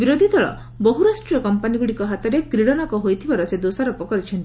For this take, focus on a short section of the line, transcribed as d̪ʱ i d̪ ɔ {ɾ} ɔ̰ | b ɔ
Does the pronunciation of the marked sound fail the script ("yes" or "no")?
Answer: yes